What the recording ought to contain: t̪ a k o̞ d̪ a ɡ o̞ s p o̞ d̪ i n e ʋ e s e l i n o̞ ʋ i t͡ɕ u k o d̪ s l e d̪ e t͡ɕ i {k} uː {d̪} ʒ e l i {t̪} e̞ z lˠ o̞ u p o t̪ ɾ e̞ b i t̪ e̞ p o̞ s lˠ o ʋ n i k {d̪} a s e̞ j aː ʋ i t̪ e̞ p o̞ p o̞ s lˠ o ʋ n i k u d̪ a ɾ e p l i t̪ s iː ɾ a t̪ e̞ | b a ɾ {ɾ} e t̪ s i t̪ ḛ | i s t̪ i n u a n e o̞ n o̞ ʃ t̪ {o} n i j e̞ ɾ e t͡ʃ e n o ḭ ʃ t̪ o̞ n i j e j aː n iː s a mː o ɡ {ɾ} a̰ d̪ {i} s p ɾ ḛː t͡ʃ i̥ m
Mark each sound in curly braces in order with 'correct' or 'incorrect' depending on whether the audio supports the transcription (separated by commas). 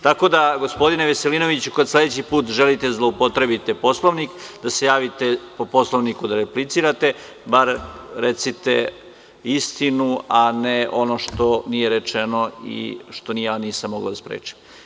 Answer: incorrect, incorrect, correct, correct, correct, correct, incorrect, incorrect